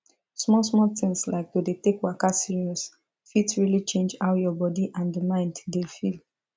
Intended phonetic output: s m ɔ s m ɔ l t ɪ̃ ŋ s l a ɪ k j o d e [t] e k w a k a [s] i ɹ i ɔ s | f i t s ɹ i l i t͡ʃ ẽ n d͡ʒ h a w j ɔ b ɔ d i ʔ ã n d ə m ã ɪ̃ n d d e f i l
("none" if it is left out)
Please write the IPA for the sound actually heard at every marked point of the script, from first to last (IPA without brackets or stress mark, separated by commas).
t, s